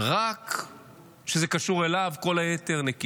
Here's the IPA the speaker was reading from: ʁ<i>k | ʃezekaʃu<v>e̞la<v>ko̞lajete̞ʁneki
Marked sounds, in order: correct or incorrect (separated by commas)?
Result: incorrect, incorrect, correct